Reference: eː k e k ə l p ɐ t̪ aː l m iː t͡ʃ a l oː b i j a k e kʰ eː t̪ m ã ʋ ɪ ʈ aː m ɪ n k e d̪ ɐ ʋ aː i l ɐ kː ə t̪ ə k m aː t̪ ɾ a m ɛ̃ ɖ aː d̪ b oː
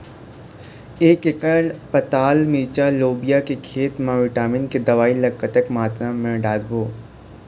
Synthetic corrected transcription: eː k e k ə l p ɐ t̪ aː l m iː t͡ʃ a l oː b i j a k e kʰ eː t̪ m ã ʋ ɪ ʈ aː m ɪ n k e d̪ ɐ ʋ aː i l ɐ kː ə t̪ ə k m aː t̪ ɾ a m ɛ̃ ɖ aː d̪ b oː